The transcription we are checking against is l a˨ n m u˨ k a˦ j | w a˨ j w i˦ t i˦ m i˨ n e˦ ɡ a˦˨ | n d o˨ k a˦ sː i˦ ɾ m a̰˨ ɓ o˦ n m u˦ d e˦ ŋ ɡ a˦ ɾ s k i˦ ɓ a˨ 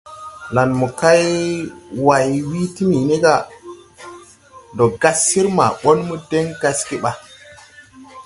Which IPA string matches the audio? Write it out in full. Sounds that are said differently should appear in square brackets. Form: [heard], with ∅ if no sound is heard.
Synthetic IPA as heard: l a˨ n m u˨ k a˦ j | w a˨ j w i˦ t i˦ m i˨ n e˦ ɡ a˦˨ | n d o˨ [ɡ] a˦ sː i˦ ɾ m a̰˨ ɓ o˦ n m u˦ d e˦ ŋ ɡ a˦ [∅] s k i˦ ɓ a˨